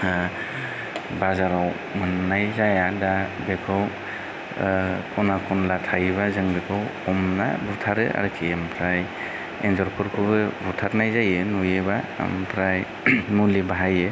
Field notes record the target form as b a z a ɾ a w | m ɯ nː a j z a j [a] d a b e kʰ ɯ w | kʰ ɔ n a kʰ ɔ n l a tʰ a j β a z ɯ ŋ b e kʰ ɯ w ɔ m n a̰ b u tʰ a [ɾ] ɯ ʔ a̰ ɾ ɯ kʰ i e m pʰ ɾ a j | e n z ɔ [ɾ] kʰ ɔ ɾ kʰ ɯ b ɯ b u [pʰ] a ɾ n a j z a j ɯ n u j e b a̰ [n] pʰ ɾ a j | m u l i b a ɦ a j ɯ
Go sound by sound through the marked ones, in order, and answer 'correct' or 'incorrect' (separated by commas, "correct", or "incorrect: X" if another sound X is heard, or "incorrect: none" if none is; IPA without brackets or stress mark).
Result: correct, correct, correct, incorrect: tʰ, incorrect: m